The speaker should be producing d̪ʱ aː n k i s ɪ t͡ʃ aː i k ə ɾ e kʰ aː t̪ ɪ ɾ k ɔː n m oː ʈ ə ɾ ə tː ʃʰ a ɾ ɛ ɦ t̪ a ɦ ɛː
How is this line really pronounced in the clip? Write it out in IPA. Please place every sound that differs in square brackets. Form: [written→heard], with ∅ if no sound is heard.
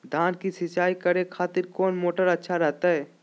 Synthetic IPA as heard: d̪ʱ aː n k i s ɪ t͡ʃ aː i k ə ɾ e kʰ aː t̪ ɪ ɾ k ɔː n m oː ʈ ə ɾ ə tː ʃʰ a ɾ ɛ ɦ t̪ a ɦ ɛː